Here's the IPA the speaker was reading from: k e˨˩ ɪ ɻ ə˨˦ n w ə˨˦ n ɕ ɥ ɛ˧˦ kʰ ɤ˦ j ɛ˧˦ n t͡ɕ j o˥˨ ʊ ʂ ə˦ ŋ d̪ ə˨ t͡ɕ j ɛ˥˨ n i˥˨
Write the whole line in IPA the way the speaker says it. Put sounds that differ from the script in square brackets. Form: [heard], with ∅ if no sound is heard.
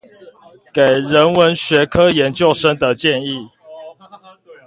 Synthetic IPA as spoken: k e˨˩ ɪ ɻ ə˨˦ n w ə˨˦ n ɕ ɥ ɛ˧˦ kʰ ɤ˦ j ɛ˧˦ n t͡ɕ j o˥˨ ʊ ʂ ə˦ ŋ d̪ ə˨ t͡ɕ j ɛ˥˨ n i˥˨